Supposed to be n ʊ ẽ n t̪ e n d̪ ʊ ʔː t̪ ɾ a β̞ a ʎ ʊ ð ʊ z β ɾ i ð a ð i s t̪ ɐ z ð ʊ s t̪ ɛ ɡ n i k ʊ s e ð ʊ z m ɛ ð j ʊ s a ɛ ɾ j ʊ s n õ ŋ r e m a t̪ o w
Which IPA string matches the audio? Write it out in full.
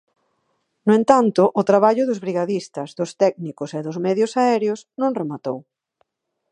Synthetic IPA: n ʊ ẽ n t̪ a n t̪ ʊ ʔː t̪ ɾ a β̞ a ʎ ʊ ð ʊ z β ɾ i ɣ a ð i s t̪ ɐ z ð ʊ s t̪ ɛ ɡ n i k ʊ s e ð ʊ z m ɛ ð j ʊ s a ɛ ɾ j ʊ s n õ ŋ r e m a t̪ o w